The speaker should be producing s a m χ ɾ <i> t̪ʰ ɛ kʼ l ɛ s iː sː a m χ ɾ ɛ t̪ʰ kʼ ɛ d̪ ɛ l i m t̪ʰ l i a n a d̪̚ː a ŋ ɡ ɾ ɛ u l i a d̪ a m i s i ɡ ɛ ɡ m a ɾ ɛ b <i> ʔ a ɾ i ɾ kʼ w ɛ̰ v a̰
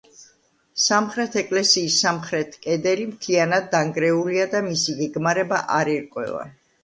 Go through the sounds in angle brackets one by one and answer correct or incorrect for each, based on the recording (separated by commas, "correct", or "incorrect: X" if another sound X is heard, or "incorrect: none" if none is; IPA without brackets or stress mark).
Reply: incorrect: ɛ, incorrect: a